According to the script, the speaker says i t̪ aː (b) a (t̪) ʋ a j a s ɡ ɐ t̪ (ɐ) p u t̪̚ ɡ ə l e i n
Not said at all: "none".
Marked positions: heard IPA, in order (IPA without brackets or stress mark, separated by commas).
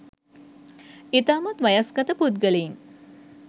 m, t̪, ə